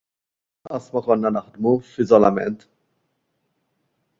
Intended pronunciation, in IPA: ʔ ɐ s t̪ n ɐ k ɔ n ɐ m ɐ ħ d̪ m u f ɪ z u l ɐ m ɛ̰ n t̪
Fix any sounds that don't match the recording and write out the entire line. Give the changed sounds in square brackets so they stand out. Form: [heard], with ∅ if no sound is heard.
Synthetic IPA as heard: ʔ ɐ s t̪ [m] ɐ k ɔ [nː] ɐ [n] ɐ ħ d̪ m u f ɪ z [ɔ] l ɐ m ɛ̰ n t̪